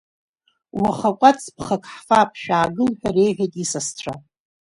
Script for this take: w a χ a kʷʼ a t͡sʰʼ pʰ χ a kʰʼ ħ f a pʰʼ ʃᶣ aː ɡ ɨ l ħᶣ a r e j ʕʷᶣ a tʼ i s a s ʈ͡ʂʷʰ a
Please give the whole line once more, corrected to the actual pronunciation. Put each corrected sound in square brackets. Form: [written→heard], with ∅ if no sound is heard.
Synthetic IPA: w a χ a kʷʼ a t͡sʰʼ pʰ χ a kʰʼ ħ f a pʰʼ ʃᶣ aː ɡ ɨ l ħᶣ a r e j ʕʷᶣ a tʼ i s a s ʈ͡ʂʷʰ a